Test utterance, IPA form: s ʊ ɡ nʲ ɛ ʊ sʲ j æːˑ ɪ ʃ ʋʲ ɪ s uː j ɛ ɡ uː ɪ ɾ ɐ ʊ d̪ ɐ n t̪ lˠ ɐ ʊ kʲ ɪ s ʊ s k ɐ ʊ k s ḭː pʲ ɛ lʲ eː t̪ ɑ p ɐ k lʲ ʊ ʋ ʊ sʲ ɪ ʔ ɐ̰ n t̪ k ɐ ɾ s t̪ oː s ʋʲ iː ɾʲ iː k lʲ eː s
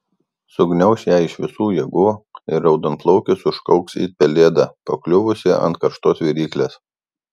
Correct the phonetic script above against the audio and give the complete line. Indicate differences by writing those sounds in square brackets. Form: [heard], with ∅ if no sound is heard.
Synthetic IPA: s ʊ ɡ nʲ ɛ ʊ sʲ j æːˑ ɪ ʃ ʋʲ ɪ s uː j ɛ ɡ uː ɪ ɾ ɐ ʊ d̪ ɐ n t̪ lˠ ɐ ʊ kʲ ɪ s ʊ [ʃ] k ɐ ʊ k s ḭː pʲ ɛ lʲ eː [d̪] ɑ p ɐ k lʲ ʊ ʋ ʊ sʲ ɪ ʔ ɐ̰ n t̪ k ɐ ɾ [ʃ] t̪ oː s ʋʲ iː ɾʲ iː k lʲ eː s

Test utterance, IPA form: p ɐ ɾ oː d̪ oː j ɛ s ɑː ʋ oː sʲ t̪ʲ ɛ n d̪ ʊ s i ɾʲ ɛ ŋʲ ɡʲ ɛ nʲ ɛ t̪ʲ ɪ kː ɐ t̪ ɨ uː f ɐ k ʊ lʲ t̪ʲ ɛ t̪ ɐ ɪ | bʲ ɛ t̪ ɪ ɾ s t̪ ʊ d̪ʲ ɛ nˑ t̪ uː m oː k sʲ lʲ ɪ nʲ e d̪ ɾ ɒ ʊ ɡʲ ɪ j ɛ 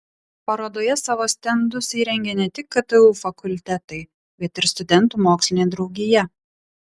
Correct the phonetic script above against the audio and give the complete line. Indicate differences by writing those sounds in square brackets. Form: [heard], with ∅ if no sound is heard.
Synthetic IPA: p ɐ ɾ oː d̪ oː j ɛ s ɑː ʋ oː sʲ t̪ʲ ɛ n d̪ ʊ s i ɾʲ ɛ ŋʲ ɡʲ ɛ nʲ ɛ t̪ʲ ɪ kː ɐ t̪ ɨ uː f ɐ k ʊ lʲ t̪ʲ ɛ t̪ ɐ ɪ | bʲ ɛ t̪ ɪ ɾ s t̪ ʊ d̪ʲ ɛ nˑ t̪ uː m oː k sʲ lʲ ɪ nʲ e d̪ ɾ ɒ ʊ ɡʲ ɪ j ɛ

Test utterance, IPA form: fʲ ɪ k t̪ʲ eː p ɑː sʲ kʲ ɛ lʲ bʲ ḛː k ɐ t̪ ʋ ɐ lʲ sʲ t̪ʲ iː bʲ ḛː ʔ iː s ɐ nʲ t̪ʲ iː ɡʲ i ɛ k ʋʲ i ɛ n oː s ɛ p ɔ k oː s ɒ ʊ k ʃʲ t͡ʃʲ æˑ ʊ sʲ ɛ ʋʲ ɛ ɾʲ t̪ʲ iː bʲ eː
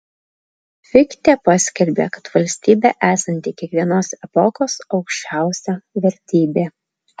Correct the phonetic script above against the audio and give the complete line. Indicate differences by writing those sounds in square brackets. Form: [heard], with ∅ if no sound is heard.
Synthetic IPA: fʲ ɪ k t̪ʲ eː p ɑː sʲ kʲ ɛ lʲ bʲ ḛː k ɐ t̪ ʋ ɐ lʲ sʲ t̪ʲ iː bʲ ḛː ʔ [æː] s ɐ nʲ t̪ʲ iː [kʲ] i ɛ k ʋʲ i ɛ n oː s ɛ p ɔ k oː s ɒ ʊ k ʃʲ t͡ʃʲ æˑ ʊ sʲ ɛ ʋʲ ɛ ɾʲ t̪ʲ iː bʲ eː

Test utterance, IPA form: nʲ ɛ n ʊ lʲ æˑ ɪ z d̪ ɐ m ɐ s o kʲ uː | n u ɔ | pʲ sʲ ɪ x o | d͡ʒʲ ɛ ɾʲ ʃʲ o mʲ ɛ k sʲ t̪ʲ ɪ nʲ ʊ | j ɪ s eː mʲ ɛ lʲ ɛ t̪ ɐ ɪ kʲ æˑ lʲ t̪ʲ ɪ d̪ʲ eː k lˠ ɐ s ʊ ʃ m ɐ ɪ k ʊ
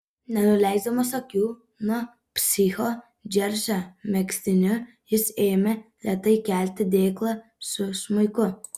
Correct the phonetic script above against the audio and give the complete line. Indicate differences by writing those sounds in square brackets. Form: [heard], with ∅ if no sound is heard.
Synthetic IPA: nʲ ɛ n ʊ lʲ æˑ ɪ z d̪ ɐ m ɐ s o kʲ uː | n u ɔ | pʲ sʲ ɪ x o | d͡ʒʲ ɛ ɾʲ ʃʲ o mʲ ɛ k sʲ t̪ʲ ɪ nʲ ʊ | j ɪ s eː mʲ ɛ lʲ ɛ t̪ ɐ ɪ kʲ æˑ lʲ t̪ʲ ɪ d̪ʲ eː k lˠ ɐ s ʊ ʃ m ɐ ɪ k ʊ

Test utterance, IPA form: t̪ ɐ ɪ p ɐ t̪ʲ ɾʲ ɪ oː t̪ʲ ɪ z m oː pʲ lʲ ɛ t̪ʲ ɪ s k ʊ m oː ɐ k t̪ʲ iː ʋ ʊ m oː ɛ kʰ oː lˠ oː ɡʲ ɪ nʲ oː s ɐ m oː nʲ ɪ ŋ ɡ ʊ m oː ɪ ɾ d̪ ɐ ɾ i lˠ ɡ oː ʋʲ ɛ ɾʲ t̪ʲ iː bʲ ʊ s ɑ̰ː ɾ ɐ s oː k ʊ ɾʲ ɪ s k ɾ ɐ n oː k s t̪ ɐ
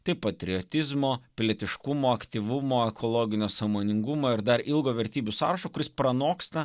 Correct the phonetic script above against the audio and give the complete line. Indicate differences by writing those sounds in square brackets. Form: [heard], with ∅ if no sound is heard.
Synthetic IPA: t̪ ɐ ɪ p ɐ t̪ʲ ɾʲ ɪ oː t̪ʲ ɪ z m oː pʲ lʲ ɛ t̪ʲ ɪ [ʃ] k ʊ m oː ɐ k t̪ʲ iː ʋ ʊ m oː ɛ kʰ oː lˠ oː ɡʲ ɪ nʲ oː s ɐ m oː nʲ ɪ ŋ ɡ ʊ m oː ɪ ɾ d̪ ɐ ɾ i lˠ ɡ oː ʋʲ ɛ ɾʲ t̪ʲ iː bʲ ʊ s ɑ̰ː ɾ ɐ [ʃ] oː k ʊ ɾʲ ɪ s [p] ɾ ɐ n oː k s t̪ ɐ

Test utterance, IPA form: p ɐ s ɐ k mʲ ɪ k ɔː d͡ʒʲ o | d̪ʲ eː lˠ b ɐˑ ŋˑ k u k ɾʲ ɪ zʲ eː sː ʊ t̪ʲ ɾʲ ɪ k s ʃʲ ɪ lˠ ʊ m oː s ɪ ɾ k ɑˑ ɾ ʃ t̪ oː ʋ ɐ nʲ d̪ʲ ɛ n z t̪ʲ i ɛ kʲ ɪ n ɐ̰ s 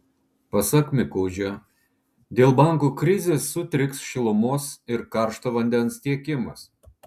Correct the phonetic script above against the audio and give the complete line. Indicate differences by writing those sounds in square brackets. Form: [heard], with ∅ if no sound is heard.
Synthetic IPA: p ɐ s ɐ k mʲ ɪ k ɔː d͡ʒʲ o | d̪ʲ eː lˠ b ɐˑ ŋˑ k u k ɾʲ ɪ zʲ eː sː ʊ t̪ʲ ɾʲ ɪ k s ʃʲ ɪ lˠ ʊ m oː s ɪ ɾ k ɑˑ ɾ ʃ t̪ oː ʋ ɐ nʲ d̪ʲ ɛ n [s] t̪ʲ i ɛ kʲ ɪ [m] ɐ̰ s

